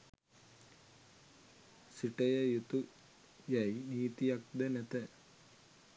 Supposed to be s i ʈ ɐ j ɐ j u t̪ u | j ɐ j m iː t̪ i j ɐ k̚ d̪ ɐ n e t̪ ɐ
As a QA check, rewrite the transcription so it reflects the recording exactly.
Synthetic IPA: s i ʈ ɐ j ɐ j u t̪ u | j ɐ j n iː t̪ i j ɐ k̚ d̪ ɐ n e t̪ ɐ